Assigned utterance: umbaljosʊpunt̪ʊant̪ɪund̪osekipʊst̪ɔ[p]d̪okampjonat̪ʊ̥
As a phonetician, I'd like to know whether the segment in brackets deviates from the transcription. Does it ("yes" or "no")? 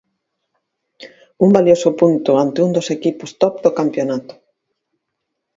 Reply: no